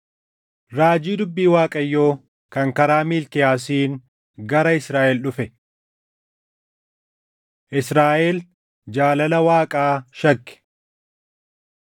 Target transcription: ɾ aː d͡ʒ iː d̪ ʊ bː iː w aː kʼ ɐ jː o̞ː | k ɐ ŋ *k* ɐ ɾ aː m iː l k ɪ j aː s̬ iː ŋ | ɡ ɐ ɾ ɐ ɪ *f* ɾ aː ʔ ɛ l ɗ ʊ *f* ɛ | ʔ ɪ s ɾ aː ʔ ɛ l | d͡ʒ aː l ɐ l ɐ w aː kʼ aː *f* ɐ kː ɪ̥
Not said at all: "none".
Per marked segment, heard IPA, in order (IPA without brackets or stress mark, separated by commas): k, s, f, ʃ